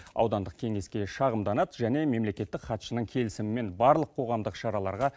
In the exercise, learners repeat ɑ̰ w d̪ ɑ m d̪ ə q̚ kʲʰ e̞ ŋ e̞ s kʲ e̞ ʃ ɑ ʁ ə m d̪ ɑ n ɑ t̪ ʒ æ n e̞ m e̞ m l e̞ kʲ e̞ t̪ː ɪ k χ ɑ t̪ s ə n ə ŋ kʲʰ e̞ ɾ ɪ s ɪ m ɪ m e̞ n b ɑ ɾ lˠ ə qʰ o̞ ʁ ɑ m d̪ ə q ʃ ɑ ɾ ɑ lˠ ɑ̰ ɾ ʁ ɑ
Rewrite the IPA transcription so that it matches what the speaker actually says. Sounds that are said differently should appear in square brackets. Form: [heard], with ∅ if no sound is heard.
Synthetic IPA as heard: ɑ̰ w d̪ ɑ [n] d̪ ə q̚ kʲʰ e̞ ŋ e̞ s kʲ e̞ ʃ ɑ ʁ ə m d̪ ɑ n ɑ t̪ ʒ æ n e̞ m e̞ m l e̞ kʲ e̞ t̪ː ɪ k χ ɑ t̪ [ʃ] ə n ə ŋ kʲʰ e̞ [l] ɪ s ɪ m ɪ m e̞ n b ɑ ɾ lˠ ə qʰ o̞ ʁ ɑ m d̪ ə q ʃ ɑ ɾ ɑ lˠ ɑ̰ ɾ ʁ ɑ